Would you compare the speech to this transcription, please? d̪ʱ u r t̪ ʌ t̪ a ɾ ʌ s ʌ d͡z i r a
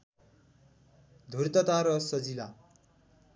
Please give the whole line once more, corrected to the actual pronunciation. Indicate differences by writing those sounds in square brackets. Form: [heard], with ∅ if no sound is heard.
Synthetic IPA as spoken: d̪ʱ u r t̪ ʌ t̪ a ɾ ʌ s ʌ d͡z i [l] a